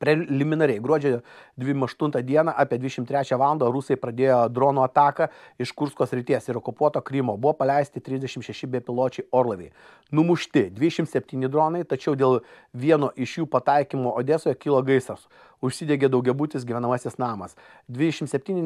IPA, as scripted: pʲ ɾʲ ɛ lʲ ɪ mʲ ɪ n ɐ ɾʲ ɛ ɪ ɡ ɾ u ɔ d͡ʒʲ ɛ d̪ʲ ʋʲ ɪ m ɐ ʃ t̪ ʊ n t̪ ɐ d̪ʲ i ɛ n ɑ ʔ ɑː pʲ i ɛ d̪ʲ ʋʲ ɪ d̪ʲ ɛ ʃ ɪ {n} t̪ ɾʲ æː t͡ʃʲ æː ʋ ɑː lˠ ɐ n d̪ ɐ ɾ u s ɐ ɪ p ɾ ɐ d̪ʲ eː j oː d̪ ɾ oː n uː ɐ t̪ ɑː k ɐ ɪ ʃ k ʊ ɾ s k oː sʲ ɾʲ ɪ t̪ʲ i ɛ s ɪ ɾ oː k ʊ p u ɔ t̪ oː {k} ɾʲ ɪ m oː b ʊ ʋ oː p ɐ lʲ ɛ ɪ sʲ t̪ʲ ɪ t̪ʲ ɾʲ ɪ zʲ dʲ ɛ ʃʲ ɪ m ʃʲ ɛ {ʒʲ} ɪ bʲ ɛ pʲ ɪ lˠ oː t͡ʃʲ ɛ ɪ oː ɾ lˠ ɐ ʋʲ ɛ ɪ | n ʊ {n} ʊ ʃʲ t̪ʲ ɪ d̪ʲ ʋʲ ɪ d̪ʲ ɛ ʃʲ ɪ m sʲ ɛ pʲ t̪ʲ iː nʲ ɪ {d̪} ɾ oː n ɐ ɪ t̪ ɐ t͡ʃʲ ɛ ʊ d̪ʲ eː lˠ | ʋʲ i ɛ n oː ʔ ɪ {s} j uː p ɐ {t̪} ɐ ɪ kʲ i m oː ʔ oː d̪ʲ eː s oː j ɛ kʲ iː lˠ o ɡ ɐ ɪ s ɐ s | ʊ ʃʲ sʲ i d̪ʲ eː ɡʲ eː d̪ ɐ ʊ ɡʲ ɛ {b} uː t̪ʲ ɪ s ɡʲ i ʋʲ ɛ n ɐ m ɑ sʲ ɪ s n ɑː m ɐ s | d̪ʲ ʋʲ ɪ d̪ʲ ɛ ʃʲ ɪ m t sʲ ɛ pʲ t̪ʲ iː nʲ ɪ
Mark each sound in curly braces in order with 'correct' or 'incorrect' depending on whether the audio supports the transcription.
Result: incorrect, correct, incorrect, incorrect, correct, incorrect, correct, correct

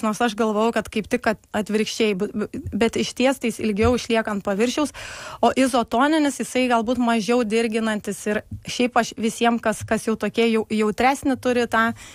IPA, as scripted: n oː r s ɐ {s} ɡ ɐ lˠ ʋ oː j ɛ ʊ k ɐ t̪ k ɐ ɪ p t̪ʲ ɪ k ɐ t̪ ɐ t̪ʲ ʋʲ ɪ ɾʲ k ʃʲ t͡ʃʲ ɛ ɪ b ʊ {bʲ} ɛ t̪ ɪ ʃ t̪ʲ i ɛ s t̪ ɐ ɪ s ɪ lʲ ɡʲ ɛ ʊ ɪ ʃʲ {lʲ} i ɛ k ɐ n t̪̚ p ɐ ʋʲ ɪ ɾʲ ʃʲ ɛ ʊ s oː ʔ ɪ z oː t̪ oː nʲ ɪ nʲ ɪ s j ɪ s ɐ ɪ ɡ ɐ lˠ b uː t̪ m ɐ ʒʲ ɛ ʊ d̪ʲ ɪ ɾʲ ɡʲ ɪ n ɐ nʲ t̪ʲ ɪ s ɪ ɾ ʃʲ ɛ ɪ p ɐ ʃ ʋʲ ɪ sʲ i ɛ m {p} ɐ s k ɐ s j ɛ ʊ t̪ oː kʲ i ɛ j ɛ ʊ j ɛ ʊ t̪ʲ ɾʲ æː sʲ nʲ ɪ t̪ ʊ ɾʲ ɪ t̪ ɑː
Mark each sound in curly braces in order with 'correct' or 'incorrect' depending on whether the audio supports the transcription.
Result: incorrect, correct, correct, incorrect

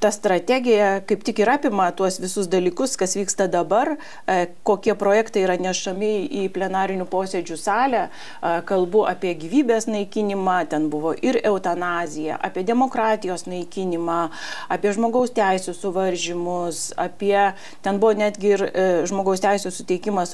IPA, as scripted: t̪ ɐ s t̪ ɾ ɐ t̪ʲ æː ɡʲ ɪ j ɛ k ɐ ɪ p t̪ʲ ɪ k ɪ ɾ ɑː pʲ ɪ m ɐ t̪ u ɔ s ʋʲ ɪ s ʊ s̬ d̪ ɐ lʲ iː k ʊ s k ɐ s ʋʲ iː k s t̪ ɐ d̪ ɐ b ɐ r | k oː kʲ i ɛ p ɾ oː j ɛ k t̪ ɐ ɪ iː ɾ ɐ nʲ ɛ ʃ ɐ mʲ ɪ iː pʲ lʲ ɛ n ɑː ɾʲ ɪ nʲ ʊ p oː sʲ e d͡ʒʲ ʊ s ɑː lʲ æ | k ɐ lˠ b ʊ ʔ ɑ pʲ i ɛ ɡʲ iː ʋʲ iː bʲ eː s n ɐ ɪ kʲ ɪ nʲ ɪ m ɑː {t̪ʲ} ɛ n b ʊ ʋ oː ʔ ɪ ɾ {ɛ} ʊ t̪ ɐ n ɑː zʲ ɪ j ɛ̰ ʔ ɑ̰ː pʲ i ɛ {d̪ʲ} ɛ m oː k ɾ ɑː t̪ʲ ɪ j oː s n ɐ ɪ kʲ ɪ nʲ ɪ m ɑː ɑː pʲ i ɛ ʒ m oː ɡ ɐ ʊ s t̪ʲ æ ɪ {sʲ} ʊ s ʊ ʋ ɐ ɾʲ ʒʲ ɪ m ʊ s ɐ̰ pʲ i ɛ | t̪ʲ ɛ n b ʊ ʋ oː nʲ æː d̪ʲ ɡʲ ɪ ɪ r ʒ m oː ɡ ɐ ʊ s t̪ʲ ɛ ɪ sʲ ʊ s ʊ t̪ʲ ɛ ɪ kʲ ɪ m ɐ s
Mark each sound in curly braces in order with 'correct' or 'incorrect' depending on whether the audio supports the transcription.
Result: correct, correct, correct, correct

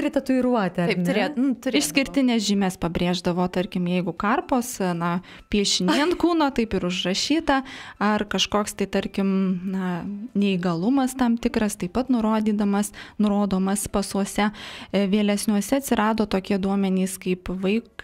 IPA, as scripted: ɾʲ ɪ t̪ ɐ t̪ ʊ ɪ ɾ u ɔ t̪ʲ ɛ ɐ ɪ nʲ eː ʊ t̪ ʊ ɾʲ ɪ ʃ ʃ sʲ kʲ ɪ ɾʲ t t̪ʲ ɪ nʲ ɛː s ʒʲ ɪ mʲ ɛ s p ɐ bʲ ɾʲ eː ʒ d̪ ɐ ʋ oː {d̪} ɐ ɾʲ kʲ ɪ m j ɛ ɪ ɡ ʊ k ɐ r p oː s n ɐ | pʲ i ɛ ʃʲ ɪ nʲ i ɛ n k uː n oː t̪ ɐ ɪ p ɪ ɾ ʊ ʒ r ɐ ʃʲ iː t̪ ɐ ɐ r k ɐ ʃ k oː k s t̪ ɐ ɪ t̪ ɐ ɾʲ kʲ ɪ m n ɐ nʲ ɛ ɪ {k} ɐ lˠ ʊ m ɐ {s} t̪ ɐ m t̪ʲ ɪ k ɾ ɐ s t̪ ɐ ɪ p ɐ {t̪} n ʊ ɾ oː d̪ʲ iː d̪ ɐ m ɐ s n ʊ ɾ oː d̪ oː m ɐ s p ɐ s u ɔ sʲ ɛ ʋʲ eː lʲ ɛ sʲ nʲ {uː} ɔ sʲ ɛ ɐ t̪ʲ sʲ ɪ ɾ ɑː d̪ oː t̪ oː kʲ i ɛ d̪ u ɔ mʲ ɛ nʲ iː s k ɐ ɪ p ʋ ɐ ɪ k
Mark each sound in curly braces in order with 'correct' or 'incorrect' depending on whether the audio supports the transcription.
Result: incorrect, incorrect, correct, correct, incorrect

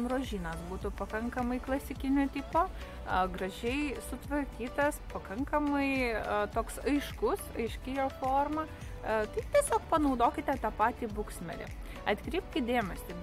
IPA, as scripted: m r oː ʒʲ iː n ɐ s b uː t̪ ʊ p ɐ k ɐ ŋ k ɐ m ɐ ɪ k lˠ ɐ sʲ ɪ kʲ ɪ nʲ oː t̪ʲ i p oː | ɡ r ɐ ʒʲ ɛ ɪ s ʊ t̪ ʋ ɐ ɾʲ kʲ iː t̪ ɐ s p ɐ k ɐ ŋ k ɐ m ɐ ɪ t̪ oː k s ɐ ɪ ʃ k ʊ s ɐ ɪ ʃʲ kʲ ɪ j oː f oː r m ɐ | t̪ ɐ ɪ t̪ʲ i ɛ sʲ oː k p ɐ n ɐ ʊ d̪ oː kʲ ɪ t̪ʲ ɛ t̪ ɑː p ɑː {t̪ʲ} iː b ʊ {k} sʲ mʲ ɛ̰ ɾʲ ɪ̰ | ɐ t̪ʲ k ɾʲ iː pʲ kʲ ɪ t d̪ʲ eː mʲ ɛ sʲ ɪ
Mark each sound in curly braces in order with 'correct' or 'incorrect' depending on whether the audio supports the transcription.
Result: correct, correct

